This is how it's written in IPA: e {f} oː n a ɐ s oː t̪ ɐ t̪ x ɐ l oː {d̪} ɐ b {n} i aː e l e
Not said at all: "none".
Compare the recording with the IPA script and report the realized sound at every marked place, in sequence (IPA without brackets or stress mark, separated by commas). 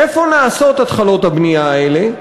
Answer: f, t̪, n